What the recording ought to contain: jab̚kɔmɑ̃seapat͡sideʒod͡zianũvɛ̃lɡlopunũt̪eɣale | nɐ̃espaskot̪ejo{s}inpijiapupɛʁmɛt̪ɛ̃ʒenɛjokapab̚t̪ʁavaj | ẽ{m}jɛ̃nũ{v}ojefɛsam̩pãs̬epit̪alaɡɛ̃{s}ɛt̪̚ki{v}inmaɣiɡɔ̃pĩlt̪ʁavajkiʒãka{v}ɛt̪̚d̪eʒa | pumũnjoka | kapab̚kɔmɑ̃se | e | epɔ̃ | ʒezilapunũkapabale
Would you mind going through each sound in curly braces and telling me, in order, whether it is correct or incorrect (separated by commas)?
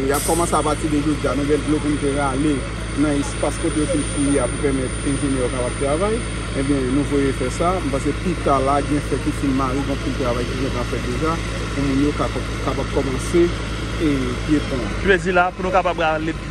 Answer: incorrect, incorrect, correct, incorrect, incorrect, incorrect